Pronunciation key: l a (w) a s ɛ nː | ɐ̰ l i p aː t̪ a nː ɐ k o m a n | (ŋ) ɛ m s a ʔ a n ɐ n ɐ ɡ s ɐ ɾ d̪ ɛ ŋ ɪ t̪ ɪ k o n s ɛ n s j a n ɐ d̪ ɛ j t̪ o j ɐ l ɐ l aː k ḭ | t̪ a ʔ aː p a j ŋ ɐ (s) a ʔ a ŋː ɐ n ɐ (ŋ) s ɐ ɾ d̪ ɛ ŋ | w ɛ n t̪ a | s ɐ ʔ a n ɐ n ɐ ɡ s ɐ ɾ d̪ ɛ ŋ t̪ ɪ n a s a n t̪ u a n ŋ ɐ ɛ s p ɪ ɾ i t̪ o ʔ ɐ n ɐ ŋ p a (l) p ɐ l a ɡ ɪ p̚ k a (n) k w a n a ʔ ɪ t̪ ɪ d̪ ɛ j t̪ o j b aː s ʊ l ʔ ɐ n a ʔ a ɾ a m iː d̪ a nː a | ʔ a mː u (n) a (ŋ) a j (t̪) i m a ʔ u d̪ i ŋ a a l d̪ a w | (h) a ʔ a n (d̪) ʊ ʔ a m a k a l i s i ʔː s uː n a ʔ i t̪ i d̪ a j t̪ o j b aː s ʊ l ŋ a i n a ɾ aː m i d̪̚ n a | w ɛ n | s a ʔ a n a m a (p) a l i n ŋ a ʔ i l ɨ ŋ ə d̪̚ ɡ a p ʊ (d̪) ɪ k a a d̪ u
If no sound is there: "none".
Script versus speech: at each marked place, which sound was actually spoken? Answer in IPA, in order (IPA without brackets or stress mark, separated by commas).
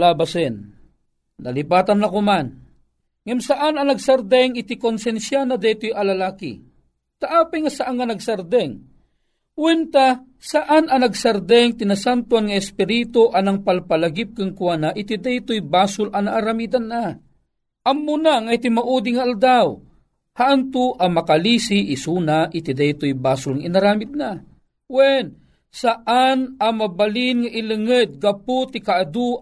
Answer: b, ŋ, s, ɡ, l, ŋ, n, ŋ, t̪, h, t̪, b, t̪